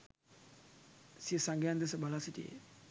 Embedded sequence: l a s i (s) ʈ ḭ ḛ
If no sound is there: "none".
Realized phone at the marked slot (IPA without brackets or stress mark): none